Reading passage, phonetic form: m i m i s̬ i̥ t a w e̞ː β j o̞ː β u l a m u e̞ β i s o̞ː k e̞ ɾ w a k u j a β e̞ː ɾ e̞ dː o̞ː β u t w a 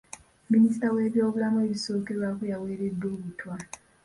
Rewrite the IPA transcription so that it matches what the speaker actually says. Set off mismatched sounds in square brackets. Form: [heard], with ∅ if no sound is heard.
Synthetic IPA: m i [n] i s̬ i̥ t a w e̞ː β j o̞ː β u l a m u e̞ β i s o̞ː k e̞ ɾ w a k u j a [w] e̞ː ɾ e̞ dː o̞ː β u t w a